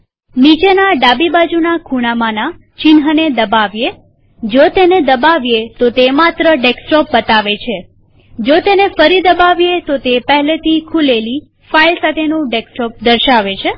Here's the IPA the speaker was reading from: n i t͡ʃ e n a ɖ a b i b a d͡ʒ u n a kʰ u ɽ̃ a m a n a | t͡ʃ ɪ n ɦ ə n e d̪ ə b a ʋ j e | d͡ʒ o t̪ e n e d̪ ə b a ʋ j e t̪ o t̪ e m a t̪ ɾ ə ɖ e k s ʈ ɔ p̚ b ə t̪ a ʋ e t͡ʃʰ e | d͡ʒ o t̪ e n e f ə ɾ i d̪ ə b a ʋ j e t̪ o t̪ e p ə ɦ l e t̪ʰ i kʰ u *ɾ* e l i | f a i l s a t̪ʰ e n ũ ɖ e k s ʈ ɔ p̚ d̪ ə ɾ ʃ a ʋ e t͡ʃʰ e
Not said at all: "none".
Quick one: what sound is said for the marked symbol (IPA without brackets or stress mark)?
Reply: l